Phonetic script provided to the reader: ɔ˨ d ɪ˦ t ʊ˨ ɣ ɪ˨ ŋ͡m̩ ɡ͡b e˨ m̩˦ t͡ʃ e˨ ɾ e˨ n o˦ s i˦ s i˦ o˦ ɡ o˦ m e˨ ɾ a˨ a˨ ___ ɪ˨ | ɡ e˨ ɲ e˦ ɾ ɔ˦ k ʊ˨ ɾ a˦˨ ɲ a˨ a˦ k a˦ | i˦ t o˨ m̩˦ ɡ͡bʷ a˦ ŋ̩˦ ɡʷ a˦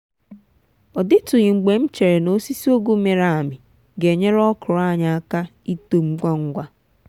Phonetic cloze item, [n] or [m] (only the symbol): m